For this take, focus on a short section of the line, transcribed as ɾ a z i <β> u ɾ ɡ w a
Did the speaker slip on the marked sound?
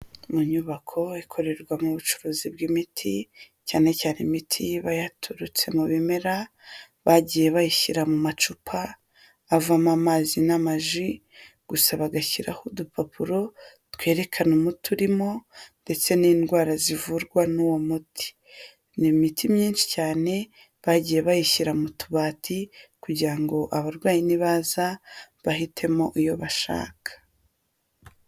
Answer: yes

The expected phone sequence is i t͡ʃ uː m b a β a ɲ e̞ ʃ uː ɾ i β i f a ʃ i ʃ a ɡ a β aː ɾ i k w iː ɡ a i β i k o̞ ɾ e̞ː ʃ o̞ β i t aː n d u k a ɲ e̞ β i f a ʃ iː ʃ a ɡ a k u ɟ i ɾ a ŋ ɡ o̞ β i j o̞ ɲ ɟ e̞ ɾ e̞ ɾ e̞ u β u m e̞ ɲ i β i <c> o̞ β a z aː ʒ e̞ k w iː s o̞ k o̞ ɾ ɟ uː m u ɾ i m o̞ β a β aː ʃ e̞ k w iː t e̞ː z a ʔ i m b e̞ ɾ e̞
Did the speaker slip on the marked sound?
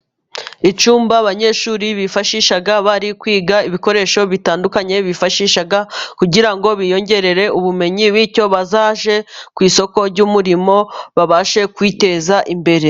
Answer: no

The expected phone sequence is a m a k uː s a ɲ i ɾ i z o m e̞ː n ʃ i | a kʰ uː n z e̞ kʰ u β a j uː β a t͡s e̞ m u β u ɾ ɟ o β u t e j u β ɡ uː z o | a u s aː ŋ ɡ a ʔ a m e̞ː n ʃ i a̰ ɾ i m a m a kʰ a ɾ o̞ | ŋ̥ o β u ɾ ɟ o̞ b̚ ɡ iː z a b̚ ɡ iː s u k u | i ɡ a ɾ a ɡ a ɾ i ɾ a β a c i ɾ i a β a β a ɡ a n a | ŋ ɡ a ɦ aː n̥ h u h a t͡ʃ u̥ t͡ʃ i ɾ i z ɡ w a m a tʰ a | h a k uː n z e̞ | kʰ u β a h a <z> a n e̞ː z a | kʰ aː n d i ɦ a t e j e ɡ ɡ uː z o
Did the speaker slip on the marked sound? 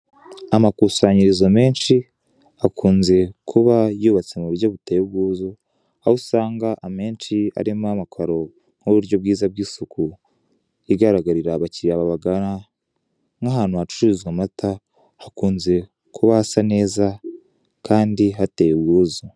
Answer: yes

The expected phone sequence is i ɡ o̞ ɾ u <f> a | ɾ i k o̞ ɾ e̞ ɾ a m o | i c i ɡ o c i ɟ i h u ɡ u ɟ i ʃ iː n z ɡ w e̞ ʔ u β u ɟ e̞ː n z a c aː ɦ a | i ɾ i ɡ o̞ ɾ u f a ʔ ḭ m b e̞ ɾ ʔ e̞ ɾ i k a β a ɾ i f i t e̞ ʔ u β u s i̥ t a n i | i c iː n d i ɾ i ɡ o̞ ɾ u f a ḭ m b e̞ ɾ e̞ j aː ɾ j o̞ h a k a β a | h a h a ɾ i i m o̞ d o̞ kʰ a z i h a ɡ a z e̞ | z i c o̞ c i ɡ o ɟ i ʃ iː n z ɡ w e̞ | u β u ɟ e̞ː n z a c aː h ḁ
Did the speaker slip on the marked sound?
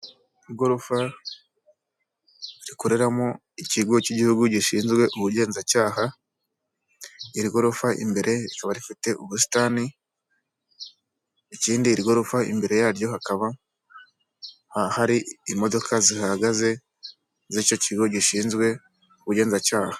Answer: no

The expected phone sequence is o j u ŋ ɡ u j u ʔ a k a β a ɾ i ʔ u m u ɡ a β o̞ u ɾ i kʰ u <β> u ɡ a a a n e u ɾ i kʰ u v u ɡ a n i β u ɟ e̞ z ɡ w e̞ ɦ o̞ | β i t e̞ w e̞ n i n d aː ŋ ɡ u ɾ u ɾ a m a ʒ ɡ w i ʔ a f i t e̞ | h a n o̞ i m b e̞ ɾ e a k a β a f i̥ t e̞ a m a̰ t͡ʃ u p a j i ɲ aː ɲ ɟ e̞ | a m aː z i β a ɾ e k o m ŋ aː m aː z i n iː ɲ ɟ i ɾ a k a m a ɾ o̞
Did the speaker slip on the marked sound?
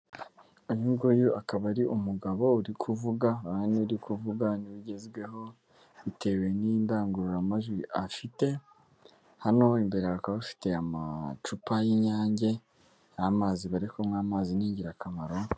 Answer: yes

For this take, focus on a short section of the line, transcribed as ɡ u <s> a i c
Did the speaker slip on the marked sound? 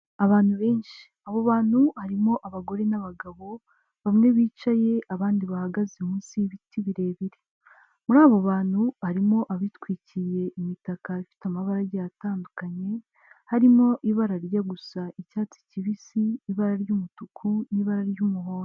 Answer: no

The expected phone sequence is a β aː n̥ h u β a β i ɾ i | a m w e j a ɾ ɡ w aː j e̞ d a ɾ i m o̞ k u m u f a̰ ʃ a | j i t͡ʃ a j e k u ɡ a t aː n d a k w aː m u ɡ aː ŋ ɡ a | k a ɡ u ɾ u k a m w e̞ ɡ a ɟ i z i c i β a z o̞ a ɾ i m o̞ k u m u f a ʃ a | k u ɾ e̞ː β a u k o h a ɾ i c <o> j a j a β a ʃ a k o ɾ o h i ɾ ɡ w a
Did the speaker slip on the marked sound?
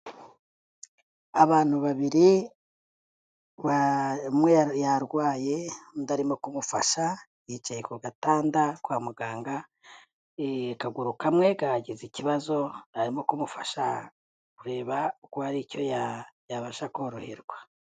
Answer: no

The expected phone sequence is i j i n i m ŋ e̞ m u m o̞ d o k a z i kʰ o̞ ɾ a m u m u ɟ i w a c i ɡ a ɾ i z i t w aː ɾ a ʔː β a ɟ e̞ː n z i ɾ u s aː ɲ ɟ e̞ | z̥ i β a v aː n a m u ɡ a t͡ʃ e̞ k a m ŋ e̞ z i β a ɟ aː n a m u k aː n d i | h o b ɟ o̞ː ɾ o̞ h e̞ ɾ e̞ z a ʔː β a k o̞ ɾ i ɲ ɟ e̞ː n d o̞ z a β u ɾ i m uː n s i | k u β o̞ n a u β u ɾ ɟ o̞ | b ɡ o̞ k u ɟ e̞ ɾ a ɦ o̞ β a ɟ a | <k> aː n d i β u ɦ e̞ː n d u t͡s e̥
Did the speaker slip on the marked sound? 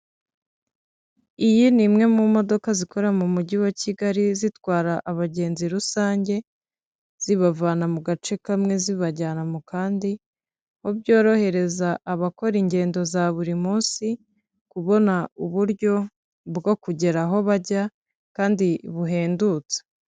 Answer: no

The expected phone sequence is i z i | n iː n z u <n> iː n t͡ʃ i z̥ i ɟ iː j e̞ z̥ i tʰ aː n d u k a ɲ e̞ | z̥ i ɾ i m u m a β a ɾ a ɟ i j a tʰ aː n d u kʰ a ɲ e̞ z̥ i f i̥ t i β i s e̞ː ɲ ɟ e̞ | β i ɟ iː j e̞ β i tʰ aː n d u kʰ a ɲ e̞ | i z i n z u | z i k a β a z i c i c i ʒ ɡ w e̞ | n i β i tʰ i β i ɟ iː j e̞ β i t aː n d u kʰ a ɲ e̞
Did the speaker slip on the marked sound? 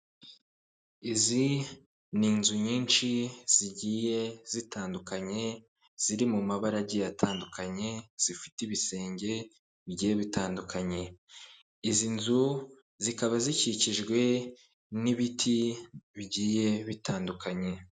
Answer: yes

